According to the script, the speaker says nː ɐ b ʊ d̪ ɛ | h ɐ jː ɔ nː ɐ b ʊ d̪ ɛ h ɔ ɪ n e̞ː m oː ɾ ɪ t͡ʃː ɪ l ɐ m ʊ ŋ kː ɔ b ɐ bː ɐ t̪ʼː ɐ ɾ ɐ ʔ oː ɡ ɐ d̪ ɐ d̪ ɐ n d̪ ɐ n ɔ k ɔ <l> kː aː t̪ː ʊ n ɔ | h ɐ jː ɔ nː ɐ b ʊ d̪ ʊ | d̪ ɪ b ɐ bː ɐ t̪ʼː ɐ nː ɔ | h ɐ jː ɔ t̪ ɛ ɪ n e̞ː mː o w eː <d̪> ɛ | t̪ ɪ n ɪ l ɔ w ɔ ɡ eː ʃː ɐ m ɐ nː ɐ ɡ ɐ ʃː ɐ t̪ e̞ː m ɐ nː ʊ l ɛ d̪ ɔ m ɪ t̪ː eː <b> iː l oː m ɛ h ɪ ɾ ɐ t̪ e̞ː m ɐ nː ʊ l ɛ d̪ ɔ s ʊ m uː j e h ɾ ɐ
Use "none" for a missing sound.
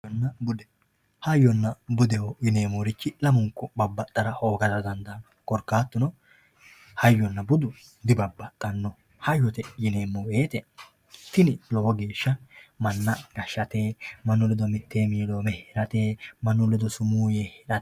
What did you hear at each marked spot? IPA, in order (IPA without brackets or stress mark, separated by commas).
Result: ɾ, t̪, m